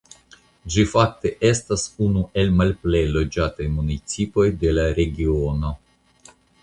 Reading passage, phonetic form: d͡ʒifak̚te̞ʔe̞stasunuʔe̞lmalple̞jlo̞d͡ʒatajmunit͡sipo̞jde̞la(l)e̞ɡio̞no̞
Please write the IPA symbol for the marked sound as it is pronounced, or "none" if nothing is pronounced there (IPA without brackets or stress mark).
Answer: ɾ